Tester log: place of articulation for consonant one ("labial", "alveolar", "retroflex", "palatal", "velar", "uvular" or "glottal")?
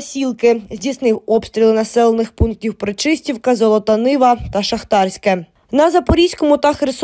alveolar